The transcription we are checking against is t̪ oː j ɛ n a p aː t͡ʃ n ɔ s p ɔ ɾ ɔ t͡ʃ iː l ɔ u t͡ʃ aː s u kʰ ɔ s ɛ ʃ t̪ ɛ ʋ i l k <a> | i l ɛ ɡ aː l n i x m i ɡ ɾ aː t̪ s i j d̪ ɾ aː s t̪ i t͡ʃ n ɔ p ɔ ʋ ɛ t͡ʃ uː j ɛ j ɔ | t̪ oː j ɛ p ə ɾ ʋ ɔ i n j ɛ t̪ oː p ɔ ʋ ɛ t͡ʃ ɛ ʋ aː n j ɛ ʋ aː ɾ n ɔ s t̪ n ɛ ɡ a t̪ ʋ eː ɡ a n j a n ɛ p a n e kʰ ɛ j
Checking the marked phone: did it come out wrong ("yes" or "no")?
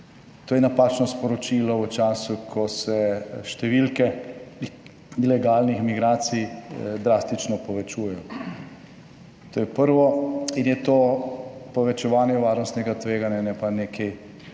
yes